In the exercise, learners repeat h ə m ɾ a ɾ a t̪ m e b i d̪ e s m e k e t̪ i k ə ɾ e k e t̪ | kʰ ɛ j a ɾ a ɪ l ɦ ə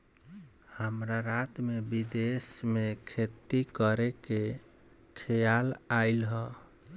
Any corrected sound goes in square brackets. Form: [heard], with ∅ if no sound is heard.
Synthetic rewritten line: h ə m ɾ a ɾ a t̪ m e b i d̪ e s m e [kʰ] e t̪ i k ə ɾ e k e [∅] | kʰ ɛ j a [l] a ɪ l ɦ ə